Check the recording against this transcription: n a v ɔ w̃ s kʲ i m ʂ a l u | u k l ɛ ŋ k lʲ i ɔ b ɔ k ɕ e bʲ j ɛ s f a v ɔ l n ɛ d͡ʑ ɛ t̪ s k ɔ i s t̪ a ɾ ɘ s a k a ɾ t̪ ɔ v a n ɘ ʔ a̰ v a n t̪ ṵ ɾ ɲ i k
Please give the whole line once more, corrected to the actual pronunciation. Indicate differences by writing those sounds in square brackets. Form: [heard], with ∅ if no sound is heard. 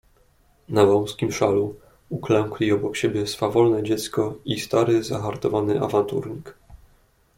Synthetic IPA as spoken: n a v ɔ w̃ s kʲ i m ʂ a l u | u k l ɛ ŋ k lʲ i ɔ b ɔ k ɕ e bʲ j ɛ s f a v ɔ l n ɛ d͡ʑ ɛ t̪ s k ɔ i s t̪ a ɾ ɘ [z] a [x] a ɾ t̪ ɔ v a n ɘ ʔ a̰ v a n t̪ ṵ ɾ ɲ i k